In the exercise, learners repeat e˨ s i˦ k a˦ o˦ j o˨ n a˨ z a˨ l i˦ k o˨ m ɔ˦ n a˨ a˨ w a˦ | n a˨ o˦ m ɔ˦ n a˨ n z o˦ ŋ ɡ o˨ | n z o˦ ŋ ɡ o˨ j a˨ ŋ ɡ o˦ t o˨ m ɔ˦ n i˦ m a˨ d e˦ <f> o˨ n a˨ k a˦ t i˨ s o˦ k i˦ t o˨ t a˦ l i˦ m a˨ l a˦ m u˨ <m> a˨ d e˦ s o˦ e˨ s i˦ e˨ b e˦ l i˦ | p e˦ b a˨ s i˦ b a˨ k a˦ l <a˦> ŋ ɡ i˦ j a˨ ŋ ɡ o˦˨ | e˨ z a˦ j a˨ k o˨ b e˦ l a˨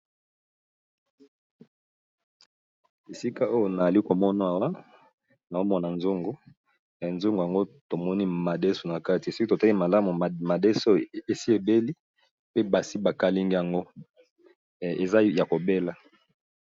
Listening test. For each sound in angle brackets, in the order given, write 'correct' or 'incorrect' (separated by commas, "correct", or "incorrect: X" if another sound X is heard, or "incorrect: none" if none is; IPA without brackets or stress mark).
incorrect: s, correct, incorrect: i˦